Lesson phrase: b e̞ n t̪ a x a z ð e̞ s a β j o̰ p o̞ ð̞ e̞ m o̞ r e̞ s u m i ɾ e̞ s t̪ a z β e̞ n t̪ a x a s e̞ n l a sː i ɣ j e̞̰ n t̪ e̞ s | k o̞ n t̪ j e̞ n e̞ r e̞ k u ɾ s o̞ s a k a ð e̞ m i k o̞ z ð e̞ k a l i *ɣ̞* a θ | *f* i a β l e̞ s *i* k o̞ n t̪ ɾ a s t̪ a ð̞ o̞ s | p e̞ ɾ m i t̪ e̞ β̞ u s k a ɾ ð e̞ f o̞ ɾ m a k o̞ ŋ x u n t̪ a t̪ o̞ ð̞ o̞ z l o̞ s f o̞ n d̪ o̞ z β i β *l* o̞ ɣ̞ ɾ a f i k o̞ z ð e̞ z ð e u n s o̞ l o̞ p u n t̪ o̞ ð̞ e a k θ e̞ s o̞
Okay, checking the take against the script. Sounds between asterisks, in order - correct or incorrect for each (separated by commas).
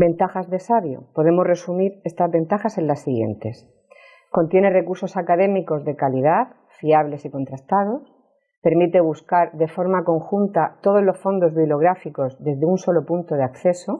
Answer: incorrect, correct, correct, correct